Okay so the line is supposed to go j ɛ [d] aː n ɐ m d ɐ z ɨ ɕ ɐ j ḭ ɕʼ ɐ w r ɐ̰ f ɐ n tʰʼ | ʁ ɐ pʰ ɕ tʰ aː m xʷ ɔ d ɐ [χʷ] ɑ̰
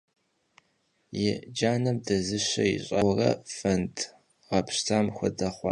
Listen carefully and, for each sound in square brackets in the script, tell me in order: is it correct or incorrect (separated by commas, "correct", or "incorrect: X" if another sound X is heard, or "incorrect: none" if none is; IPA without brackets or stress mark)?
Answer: incorrect: d͡ʒ, correct